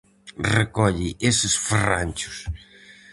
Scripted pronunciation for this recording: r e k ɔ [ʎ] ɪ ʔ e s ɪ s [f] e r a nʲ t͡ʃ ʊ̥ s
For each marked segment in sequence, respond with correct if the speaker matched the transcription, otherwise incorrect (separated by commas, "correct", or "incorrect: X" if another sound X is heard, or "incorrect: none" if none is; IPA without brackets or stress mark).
correct, correct